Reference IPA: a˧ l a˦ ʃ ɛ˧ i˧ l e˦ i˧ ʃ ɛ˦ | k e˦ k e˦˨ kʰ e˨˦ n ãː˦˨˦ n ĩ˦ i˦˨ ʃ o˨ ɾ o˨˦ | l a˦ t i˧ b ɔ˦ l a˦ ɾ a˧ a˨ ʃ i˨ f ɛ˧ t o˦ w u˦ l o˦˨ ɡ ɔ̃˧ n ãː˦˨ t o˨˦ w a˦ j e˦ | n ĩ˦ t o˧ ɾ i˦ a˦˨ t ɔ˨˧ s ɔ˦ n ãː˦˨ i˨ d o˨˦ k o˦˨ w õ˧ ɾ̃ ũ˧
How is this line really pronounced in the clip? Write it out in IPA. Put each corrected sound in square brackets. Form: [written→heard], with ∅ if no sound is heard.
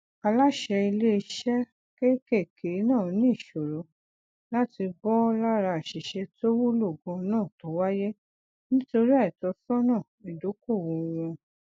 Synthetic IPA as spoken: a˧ l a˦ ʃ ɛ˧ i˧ l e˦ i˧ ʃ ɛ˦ | k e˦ k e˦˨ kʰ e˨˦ n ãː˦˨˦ n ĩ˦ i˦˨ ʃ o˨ ɾ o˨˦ | l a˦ t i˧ b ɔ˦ l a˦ ɾ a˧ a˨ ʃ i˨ [f→ʃ] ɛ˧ t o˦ w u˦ l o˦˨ ɡ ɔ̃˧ n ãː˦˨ t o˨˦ w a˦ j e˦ | n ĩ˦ t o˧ ɾ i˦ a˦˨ t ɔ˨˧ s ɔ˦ n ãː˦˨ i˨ d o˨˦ k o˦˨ w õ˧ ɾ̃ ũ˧